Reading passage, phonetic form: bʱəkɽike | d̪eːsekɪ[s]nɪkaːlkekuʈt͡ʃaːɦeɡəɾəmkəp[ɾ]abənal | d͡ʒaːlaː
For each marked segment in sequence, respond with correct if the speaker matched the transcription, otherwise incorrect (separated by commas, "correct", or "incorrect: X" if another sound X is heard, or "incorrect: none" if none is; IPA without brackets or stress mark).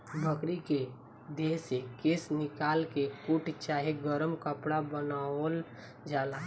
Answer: correct, incorrect: ɽ